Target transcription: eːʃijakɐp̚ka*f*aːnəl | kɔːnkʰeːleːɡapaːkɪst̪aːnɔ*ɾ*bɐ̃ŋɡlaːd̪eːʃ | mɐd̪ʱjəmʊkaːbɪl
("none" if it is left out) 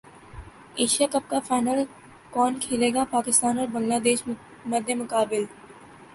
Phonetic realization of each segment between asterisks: f, ɾ

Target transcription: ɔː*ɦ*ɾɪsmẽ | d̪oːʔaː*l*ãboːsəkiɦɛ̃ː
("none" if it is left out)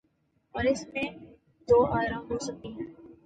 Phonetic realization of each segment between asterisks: none, ɾ

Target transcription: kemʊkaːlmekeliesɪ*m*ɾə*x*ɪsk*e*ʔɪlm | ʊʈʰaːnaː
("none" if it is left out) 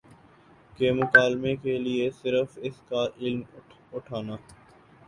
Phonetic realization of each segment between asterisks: none, f, a

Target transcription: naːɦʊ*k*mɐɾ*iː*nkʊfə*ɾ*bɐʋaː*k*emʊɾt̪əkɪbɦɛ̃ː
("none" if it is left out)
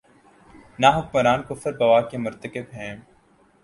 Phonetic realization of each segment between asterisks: k, aː, ɾ, k

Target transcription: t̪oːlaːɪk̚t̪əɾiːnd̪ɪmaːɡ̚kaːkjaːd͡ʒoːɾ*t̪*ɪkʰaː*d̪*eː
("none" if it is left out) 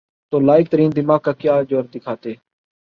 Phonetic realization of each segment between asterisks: d̪, t̪

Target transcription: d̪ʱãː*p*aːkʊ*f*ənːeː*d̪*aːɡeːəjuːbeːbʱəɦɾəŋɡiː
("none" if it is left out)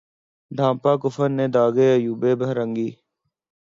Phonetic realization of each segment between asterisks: p, f, d̪

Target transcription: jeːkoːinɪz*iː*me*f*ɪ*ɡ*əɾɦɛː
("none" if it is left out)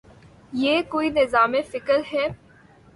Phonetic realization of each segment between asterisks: aː, f, k

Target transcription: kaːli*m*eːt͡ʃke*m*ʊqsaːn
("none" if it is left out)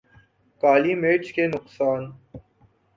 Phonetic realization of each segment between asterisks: m, n

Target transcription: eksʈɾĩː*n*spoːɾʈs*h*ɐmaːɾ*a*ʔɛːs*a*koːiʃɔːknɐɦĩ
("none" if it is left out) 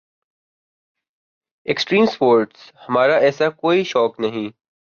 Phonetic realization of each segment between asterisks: m, h, a, a

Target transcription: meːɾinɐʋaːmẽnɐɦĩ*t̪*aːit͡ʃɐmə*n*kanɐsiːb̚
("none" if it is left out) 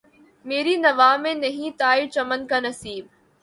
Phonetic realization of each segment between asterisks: t̪, n

